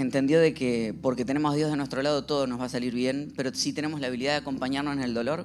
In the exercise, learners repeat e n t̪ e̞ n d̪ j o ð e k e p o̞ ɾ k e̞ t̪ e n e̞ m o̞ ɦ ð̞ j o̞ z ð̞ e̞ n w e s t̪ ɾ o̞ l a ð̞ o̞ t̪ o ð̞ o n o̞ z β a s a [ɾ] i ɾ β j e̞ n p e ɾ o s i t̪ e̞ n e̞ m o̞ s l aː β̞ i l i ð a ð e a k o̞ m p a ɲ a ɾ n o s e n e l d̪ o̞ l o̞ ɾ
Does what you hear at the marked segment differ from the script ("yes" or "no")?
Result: yes